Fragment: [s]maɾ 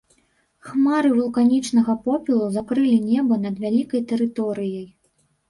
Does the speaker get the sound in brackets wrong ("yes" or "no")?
yes